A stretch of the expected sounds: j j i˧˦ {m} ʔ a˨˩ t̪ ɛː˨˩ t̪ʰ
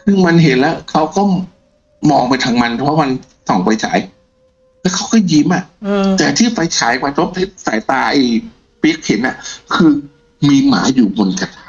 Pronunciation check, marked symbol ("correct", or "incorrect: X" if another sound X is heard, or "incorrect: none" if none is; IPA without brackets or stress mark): correct